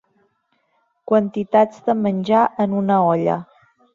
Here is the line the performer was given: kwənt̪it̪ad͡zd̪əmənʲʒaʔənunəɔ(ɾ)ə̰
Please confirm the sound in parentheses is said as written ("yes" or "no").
no